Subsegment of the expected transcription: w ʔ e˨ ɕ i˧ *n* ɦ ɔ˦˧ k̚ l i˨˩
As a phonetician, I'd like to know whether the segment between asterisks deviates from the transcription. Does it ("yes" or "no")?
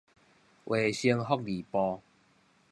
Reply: yes